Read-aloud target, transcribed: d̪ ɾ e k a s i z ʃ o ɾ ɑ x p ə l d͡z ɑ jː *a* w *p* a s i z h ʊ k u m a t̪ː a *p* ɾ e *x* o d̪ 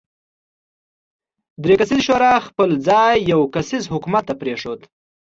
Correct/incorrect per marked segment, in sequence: correct, incorrect, correct, incorrect

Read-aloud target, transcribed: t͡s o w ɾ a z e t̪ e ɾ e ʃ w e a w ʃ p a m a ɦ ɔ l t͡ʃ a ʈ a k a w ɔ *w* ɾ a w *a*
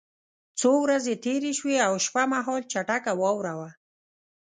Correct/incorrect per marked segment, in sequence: correct, correct

